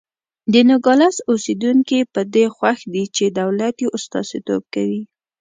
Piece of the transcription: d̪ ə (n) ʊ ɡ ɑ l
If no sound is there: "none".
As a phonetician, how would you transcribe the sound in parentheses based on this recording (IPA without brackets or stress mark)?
n